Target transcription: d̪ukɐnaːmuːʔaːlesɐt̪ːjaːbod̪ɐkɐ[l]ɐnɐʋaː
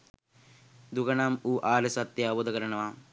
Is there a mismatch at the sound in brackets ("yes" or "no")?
yes